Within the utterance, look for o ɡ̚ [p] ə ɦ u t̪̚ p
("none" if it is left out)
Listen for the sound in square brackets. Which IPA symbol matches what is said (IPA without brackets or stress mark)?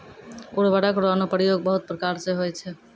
b